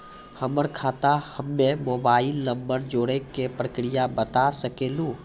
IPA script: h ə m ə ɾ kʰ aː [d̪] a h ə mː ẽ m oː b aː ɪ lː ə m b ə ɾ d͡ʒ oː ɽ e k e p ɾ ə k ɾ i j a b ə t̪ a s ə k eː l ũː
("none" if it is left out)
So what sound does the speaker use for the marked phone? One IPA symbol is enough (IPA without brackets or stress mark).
t̪